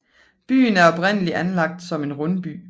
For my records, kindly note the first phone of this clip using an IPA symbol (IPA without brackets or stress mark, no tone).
b̥